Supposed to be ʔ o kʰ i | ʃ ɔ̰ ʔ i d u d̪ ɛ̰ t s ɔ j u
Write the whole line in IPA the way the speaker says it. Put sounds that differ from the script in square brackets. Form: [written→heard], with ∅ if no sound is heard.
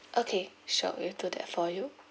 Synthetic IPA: ʔ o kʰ [i→e] | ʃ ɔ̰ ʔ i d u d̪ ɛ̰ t [s→f] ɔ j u